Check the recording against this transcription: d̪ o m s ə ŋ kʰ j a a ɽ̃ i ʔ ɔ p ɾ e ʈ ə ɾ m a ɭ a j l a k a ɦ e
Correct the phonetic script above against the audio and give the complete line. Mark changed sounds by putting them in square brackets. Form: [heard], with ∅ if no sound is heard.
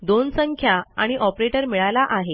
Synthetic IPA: d̪ o [n] s ə ŋ kʰ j a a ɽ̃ i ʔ ɔ p ɾ e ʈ ə ɾ m [i] ɭ a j l a [ʔ] a ɦ e